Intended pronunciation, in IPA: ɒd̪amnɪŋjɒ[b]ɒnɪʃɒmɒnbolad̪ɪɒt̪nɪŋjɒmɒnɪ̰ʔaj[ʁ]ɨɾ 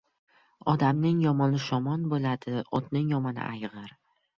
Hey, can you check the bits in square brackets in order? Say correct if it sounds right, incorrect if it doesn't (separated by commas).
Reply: incorrect, correct